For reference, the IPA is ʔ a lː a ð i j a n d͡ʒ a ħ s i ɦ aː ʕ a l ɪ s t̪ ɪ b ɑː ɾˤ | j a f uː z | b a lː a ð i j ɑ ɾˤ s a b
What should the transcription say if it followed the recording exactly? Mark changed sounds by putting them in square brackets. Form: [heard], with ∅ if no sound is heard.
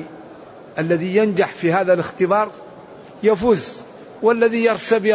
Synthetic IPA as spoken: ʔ a lː a ð i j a n d͡ʒ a ħ [f] i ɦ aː [ð] a l ɪ [x] t̪ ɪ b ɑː ɾˤ | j a f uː z | [w] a lː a ð i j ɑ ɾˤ s a b